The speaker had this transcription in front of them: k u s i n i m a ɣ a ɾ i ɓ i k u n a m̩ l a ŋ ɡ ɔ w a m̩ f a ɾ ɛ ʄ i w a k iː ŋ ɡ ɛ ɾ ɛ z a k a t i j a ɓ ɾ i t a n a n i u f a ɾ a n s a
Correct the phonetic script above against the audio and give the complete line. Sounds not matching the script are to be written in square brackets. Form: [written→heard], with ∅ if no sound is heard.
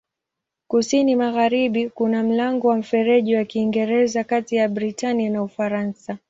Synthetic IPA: k u s i n i m a ɣ a ɾ i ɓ i k u n a m̩ l a ŋ ɡ ɔ w a m̩ f [a→ɛ] ɾ ɛ ʄ i w a k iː ŋ ɡ ɛ ɾ ɛ z a k a t i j a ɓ ɾ i t a n [a→i] n [i→a] u f a ɾ a n s a